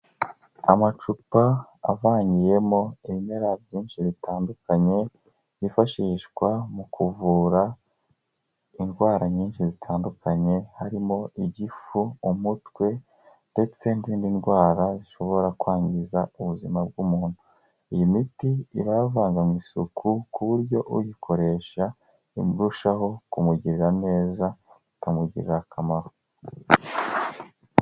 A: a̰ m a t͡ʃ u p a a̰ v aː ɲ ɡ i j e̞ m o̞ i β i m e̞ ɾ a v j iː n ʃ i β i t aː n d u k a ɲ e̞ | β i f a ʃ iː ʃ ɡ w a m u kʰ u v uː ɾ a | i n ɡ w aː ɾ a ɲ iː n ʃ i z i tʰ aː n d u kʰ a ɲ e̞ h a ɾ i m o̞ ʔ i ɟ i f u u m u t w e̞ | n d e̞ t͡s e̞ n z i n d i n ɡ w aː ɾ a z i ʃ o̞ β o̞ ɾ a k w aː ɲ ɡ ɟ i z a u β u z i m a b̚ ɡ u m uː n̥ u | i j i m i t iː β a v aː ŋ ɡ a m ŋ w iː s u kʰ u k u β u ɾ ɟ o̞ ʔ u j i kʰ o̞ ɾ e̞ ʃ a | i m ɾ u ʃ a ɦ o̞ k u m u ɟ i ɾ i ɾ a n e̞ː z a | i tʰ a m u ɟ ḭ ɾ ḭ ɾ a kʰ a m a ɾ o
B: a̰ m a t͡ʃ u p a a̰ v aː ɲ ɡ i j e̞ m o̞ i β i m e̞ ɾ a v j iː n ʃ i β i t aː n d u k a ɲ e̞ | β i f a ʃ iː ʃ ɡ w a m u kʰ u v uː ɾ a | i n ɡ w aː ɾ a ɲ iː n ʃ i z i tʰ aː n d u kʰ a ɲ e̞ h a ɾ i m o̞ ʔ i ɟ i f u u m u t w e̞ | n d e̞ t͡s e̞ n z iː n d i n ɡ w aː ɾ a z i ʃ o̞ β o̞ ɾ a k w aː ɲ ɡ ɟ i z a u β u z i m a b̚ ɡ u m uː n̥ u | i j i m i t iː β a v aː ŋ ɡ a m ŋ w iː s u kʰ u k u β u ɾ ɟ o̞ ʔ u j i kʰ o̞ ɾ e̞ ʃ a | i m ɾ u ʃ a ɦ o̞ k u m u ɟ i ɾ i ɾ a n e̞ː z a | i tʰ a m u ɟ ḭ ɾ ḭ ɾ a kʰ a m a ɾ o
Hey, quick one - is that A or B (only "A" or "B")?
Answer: B